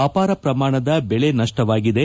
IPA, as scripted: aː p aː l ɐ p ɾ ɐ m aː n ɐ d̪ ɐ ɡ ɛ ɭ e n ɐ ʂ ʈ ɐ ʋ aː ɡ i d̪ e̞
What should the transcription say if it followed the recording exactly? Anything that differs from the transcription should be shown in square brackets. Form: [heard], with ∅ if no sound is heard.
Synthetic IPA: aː p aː [ɾ] ɐ p ɾ ɐ m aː [ɳ] ɐ d̪ ɐ [b] ɛ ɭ e n ɐ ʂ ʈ ɐ ʋ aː ɡ i d̪ e̞